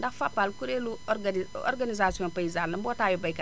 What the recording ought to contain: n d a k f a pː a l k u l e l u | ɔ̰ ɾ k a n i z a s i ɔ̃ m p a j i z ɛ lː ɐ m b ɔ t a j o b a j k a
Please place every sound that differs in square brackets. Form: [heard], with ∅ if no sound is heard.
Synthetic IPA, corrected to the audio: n d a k f a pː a l k u [ɾ] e l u | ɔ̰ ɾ [ɡ] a n i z a s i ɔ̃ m p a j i z [a] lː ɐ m b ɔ t a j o b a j k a